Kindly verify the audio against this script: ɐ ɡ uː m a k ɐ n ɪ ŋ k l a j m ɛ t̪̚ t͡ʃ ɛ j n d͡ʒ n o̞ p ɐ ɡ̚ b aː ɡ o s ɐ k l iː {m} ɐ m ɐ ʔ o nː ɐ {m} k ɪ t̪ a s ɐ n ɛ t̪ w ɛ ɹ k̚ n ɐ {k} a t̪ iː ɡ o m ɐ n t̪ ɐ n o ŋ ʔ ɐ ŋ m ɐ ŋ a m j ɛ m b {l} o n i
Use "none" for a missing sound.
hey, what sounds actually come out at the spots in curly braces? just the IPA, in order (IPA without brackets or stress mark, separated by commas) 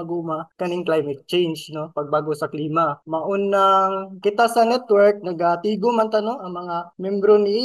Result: m, ŋ, ɡ, ɾ